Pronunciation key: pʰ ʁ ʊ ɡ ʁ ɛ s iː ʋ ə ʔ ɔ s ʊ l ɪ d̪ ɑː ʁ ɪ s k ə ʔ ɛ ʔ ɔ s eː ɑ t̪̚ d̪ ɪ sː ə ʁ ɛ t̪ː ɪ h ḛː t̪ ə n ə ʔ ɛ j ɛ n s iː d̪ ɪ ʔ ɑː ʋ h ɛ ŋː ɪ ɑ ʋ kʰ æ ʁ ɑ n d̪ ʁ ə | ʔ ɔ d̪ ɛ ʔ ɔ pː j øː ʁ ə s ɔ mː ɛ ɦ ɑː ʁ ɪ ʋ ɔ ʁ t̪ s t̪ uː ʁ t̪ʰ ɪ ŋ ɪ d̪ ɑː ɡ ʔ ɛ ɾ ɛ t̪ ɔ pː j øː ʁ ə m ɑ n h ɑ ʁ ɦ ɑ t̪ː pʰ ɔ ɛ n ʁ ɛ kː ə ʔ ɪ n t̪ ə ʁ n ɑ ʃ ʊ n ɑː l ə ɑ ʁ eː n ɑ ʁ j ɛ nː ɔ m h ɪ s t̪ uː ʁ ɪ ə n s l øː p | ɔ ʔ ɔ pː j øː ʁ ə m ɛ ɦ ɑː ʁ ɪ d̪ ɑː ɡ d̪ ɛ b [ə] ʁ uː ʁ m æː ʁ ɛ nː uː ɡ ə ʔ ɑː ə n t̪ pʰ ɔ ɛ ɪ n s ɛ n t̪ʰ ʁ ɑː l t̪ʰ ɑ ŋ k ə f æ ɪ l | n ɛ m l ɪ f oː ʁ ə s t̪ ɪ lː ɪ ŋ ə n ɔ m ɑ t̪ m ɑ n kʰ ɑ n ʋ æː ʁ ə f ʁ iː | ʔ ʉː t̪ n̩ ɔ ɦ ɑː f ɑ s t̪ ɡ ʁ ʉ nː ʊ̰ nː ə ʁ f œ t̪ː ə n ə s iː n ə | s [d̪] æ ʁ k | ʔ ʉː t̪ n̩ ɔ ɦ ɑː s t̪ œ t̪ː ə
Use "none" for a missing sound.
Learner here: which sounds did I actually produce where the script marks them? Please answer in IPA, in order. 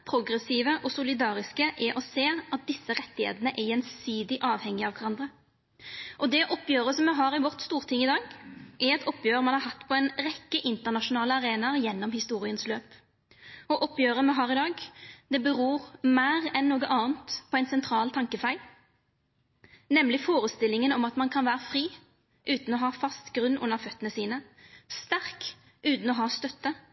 ə, t̪

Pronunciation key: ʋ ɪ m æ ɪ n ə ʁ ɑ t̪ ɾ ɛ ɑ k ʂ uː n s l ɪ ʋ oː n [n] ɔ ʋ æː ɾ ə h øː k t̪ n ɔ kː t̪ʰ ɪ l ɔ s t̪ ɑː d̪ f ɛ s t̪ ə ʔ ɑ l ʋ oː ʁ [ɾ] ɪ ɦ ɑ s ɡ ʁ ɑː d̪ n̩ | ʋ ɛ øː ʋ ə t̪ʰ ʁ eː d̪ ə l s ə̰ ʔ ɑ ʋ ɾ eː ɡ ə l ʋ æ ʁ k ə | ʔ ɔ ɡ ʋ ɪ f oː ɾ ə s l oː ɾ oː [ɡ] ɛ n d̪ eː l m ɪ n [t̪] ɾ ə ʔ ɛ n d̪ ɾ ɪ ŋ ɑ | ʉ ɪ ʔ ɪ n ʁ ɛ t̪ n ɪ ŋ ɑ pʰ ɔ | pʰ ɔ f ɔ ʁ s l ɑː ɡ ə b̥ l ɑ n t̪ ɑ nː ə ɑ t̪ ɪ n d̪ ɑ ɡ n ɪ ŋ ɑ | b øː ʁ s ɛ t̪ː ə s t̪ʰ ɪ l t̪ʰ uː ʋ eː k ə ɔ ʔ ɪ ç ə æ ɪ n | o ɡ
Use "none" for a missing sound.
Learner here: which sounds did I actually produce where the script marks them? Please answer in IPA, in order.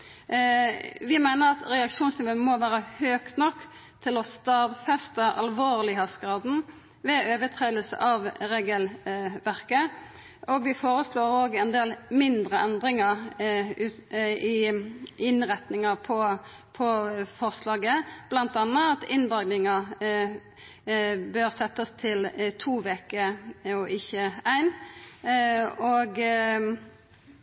m, l, ɡ, d̪

